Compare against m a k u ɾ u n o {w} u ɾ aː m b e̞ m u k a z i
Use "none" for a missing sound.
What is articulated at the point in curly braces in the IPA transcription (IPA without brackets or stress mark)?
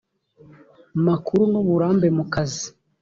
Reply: β